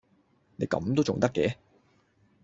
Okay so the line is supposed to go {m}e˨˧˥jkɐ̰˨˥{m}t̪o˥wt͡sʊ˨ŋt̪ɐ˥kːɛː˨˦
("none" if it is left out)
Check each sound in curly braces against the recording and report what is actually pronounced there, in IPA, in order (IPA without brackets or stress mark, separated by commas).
n, m